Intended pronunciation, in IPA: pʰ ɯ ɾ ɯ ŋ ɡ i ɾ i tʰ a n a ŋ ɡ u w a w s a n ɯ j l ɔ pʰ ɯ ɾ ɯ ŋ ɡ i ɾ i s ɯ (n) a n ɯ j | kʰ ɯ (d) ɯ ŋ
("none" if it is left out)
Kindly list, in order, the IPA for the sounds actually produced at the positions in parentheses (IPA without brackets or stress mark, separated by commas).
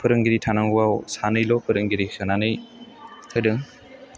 n, d